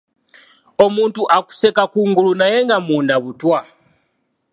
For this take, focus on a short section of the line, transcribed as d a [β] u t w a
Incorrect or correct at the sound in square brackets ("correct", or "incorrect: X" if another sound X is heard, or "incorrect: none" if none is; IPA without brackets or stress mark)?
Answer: correct